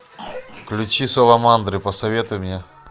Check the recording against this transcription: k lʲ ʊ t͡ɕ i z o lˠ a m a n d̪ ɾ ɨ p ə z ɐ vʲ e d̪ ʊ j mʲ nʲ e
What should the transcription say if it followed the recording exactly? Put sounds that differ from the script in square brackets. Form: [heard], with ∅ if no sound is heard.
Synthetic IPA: k lʲ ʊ t͡ɕ i [s] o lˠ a m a n d̪ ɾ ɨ p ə [s] ɐ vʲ e [t̪] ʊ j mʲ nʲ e